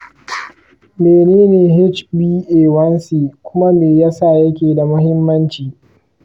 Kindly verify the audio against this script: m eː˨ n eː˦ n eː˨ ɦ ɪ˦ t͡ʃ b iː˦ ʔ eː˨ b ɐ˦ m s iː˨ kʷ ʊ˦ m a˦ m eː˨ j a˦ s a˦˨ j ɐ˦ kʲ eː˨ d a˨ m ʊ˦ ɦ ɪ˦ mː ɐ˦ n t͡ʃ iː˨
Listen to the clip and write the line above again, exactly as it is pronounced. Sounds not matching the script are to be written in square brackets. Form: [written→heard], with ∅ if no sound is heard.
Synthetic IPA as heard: m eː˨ n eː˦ n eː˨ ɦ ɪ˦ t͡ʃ b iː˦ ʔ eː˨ [b→w] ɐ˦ [m→n] s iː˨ kʷ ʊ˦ m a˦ m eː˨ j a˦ s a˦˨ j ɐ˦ kʲ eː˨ d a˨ m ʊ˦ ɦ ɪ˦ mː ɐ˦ n t͡ʃ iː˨